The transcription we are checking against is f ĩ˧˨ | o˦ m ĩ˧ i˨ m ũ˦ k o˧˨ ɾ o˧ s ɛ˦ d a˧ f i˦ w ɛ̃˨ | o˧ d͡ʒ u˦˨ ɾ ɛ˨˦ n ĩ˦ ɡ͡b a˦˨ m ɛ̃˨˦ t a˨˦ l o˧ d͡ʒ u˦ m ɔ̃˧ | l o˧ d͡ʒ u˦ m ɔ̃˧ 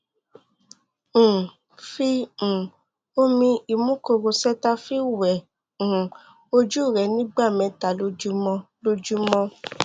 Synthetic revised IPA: f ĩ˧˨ | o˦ m ĩ˧ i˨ m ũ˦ k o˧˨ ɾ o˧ s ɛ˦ t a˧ f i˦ w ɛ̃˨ | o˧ d͡ʒ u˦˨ ɾ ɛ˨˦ n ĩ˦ ɡ͡b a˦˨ m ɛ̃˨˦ t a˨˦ l o˧ d͡ʒ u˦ m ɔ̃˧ | l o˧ d͡ʒ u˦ m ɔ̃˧